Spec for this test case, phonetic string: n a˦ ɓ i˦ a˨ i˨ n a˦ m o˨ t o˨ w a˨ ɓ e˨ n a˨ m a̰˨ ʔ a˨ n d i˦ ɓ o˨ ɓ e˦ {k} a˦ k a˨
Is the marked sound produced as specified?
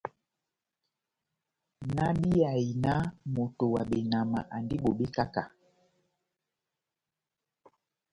yes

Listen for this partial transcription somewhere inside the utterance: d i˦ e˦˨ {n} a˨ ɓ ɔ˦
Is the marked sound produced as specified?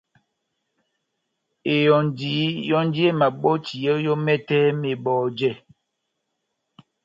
no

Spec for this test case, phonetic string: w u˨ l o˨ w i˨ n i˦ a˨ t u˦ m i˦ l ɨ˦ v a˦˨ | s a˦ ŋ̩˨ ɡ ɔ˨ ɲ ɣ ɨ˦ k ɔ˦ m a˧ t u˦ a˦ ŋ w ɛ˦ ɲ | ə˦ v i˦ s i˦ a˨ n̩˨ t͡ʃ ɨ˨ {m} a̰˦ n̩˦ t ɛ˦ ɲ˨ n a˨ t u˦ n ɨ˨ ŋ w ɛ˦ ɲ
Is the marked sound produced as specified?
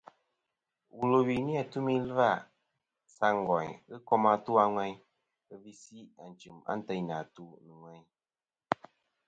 yes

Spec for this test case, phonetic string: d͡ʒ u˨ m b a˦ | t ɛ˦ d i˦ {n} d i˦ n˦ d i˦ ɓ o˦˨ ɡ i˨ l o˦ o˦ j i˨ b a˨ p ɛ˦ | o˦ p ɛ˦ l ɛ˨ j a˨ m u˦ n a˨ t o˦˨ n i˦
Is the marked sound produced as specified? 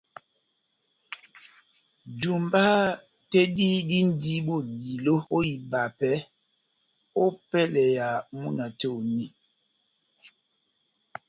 no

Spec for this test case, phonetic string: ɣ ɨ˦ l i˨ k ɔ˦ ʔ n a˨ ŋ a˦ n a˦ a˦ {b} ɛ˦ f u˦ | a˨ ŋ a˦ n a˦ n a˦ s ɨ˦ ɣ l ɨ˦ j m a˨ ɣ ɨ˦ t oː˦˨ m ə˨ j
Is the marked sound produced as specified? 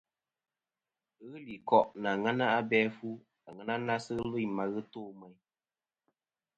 yes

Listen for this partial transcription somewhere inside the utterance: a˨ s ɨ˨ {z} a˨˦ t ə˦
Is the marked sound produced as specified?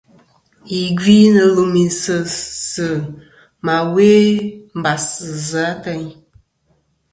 yes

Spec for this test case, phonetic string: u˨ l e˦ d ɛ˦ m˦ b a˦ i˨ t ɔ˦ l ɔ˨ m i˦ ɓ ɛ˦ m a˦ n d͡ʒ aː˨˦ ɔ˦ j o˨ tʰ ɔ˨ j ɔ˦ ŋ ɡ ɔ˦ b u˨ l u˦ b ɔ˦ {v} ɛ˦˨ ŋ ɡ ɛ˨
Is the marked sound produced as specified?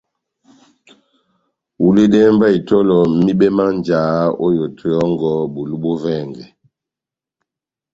yes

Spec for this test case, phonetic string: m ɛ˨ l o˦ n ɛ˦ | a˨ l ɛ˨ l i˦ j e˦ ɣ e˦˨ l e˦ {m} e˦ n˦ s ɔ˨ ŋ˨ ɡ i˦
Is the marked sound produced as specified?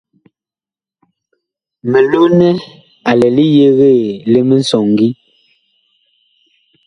yes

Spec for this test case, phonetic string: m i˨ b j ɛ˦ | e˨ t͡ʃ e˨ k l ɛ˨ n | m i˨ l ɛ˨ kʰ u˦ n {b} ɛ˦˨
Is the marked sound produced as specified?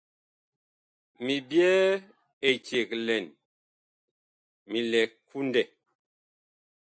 no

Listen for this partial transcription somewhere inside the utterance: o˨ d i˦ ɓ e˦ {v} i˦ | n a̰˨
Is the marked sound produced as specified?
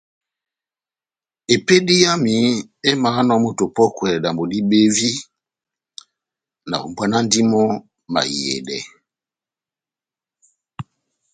yes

